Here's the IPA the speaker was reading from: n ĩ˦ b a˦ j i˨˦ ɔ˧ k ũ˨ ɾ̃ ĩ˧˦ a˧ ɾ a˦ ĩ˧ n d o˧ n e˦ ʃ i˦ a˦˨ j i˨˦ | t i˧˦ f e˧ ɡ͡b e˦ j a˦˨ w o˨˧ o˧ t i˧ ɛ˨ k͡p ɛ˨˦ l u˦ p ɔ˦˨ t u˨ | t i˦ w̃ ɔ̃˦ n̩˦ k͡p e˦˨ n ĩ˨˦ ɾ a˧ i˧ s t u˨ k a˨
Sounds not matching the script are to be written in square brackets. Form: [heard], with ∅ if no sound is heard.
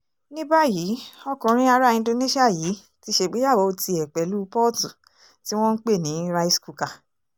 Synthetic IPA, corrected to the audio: n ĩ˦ b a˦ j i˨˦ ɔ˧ k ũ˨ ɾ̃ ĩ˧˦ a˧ ɾ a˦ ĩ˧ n d o˧ n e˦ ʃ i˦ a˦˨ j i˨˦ | t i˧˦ [ʃ] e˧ ɡ͡b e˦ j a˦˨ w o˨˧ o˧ t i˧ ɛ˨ k͡p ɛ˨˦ l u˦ p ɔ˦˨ t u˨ | t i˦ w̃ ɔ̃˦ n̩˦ k͡p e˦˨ n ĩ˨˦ ɾ a˧ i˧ s [k] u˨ k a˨